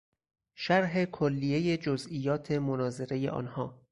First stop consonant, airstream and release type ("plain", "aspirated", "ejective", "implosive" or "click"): aspirated